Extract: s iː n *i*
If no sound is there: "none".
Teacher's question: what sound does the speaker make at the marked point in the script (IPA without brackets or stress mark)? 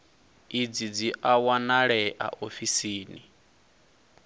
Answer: i